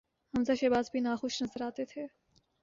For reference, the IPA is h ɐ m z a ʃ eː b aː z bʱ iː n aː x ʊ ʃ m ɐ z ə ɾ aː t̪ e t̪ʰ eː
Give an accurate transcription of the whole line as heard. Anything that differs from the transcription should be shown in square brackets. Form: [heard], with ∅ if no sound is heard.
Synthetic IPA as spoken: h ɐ m z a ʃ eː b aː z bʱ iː n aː x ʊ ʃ [n] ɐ z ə ɾ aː t̪ e t̪ʰ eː